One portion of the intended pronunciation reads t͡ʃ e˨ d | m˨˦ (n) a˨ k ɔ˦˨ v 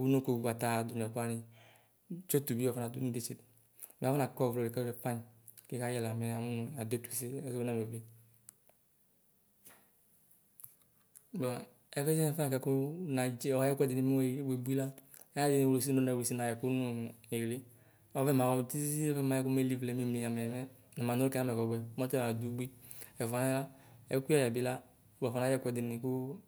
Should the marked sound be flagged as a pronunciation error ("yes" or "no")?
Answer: no